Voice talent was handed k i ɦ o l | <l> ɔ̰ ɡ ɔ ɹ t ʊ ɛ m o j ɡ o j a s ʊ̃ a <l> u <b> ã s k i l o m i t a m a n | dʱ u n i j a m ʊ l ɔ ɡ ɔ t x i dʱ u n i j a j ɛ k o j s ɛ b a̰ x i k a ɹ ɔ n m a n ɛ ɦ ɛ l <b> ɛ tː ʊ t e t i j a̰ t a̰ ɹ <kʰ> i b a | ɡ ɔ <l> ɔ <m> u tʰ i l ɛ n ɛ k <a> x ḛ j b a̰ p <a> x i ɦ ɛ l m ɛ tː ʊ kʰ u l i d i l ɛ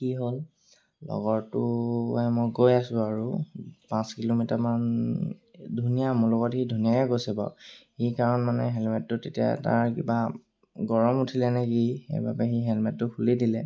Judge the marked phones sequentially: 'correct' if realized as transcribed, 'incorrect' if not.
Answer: correct, incorrect: ɹ, incorrect: p, incorrect: m, incorrect: k, incorrect: ɹ, correct, incorrect: i, incorrect: ɛ

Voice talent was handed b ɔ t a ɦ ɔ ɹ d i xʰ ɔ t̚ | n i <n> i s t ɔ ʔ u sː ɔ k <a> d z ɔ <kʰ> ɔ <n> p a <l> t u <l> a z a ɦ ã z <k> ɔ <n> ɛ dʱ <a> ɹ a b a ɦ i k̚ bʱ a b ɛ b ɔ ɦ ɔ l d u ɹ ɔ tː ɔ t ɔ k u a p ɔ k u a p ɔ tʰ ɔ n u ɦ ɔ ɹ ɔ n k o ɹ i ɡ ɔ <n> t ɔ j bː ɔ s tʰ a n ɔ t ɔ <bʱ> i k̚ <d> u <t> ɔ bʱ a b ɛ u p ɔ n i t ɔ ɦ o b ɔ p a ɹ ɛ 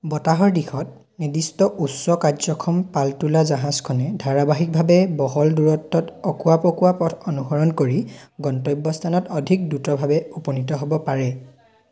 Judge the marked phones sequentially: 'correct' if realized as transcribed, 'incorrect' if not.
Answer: incorrect: d, correct, correct, incorrect: m, correct, correct, incorrect: kʰ, correct, correct, correct, incorrect: dʱ, correct, correct

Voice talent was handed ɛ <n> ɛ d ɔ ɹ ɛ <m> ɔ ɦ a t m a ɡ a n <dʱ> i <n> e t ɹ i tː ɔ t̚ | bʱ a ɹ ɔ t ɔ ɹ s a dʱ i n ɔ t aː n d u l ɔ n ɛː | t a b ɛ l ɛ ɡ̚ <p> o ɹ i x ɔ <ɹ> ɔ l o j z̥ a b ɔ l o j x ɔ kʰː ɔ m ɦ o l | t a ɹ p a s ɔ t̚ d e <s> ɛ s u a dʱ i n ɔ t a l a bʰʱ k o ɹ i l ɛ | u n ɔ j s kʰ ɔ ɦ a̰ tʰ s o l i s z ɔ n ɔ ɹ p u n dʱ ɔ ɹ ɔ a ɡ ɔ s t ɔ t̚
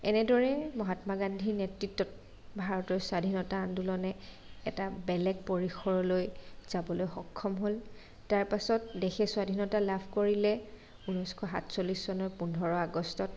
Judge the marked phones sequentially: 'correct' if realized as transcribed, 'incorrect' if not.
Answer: correct, correct, correct, correct, correct, correct, incorrect: x

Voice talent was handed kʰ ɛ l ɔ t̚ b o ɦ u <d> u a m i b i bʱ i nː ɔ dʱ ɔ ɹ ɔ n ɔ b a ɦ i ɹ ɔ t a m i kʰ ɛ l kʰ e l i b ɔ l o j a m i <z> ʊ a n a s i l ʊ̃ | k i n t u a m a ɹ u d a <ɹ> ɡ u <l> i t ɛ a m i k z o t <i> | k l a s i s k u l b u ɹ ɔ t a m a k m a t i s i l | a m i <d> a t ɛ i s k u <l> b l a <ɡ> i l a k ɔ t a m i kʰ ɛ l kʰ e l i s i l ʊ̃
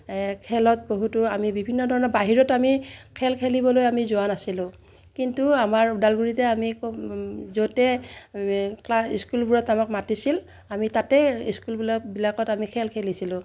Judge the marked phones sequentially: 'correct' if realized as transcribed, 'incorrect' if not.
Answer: incorrect: t, correct, incorrect: l, incorrect: ɹ, incorrect: ɛ, incorrect: t, correct, incorrect: b

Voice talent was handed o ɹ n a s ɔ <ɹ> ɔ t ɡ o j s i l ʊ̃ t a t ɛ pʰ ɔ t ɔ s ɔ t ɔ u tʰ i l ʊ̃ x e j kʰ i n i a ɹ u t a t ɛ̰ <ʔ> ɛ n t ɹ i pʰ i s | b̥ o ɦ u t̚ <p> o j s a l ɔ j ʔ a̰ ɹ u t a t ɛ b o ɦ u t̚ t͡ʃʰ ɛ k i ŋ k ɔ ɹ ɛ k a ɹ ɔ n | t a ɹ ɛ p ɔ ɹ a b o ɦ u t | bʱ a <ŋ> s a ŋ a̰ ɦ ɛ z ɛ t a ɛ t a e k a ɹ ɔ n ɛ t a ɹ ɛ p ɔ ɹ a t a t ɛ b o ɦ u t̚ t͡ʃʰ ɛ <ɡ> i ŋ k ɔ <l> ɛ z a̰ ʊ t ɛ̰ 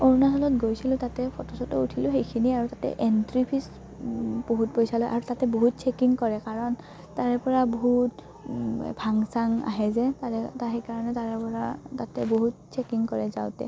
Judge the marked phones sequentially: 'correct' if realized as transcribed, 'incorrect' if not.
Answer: incorrect: l, correct, correct, correct, incorrect: k, incorrect: ɹ

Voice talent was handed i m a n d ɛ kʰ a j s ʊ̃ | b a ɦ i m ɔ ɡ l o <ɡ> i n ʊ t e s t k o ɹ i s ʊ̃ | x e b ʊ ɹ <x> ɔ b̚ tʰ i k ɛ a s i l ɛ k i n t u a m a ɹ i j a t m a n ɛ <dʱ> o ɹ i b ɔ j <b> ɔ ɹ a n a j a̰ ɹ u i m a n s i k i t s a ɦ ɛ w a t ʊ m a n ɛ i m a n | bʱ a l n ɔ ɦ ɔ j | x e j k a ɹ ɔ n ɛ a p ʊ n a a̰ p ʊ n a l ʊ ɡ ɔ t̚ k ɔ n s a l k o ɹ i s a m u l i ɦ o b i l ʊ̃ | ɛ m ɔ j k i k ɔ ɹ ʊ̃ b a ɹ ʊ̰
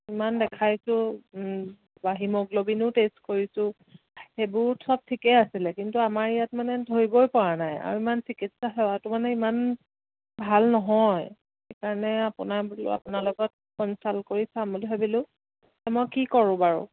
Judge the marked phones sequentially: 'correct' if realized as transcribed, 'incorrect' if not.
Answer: incorrect: b, incorrect: s, correct, incorrect: p

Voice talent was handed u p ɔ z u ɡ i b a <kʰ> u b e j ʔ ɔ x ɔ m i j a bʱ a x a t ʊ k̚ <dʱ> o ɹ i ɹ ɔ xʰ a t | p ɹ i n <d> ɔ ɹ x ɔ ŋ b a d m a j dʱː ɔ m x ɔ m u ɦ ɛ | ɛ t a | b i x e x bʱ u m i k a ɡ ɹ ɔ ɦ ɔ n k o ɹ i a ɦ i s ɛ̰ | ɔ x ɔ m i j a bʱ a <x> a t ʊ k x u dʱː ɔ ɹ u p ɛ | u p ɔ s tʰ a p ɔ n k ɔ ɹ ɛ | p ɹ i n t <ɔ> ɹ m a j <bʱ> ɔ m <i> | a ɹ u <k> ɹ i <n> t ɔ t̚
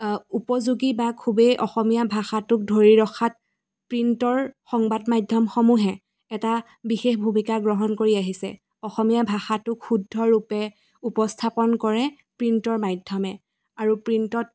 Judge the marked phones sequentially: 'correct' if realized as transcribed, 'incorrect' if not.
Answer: correct, correct, incorrect: t, correct, correct, incorrect: dʱ, incorrect: ɛ, incorrect: p, correct

